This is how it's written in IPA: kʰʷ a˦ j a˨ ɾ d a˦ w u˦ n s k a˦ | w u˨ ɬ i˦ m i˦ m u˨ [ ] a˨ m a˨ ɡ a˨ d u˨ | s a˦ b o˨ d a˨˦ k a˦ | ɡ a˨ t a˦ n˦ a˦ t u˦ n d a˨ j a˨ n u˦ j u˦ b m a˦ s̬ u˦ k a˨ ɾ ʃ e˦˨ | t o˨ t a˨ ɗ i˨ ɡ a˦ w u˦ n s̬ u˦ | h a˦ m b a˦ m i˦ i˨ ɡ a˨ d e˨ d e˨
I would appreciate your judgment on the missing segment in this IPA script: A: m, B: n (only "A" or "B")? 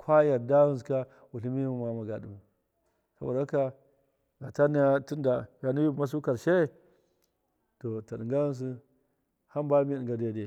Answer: A